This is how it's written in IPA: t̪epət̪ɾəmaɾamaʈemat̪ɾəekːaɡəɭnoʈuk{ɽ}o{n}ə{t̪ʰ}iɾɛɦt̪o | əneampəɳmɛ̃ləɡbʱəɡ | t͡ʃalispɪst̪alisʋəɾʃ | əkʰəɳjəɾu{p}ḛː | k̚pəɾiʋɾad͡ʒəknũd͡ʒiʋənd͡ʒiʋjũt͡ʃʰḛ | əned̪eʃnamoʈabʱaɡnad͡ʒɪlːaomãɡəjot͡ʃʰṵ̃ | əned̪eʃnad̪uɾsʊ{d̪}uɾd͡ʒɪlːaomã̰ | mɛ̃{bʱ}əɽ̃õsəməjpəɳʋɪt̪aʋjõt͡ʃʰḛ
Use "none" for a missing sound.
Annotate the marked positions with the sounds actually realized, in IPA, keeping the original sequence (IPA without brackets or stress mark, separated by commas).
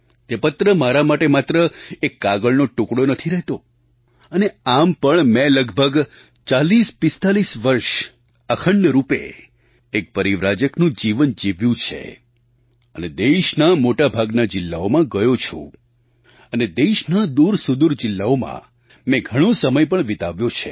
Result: ɽ, n, t̪ʰ, p, d̪, ɡʱ